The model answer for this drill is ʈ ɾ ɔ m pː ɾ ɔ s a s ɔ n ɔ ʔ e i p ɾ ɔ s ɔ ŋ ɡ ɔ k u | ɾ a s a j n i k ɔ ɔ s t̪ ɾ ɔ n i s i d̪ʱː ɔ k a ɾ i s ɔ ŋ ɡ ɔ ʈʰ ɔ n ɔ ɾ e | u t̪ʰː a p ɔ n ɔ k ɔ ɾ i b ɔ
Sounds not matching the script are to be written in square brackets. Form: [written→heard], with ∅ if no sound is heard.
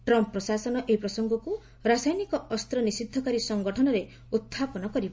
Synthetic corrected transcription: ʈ ɾ ɔ m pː ɾ ɔ s a s ɔ n ɔ ʔ e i p ɾ ɔ s ɔ ŋ ɡ ɔ k u | ɾ a s a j n i k ɔ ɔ s t̪ ɾ ɔ n i s i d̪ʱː ɔ k a ɾ i s ɔ ŋ ɡ ɔ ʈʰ ɔ n ɔ ɾ e | u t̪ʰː a p ɔ n ɔ k ɔ ɾ i b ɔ